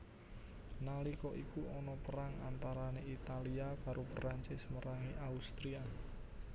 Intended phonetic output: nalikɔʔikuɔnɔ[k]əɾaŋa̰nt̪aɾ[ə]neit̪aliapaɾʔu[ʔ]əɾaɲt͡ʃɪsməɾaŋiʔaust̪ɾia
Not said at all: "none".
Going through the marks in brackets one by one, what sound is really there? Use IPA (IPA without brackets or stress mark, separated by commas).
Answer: p, a, p